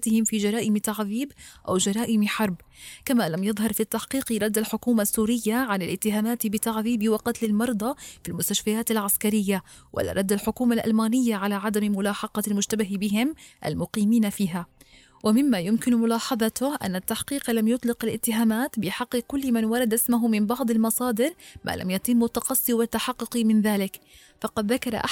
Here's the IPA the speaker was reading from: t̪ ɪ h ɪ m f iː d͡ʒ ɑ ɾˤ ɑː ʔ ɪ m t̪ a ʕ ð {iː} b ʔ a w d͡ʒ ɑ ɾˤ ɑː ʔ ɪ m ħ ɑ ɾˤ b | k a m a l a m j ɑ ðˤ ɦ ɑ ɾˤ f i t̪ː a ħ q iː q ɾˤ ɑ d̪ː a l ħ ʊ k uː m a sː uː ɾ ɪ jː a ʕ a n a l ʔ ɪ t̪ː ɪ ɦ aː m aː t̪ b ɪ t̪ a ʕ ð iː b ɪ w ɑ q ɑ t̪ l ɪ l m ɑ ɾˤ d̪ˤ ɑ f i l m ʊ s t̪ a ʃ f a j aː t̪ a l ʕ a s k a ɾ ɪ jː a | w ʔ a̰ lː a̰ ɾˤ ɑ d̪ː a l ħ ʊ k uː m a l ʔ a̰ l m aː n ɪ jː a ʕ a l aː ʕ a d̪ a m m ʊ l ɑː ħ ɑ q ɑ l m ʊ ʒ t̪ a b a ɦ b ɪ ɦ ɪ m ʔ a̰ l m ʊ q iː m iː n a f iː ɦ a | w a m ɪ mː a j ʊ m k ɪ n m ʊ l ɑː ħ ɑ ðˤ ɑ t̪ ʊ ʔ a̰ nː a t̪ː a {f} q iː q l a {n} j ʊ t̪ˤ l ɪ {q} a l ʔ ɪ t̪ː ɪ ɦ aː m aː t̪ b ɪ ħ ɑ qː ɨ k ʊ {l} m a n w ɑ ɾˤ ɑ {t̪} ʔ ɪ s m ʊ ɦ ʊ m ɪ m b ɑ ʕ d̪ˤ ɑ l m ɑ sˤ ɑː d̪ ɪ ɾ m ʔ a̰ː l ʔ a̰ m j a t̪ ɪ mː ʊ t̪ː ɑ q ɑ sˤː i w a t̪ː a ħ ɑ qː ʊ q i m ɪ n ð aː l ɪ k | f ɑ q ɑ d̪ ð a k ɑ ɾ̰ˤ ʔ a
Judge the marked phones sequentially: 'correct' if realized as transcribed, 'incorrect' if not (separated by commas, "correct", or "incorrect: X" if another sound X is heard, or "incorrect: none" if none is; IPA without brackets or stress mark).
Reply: correct, incorrect: ħ, incorrect: m, correct, incorrect: lː, incorrect: d̪